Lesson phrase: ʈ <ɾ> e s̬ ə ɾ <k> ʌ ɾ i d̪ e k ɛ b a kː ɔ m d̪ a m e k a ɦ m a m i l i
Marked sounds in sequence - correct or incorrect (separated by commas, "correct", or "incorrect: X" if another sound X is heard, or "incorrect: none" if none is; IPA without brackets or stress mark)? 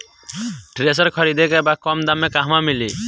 correct, incorrect: kʰ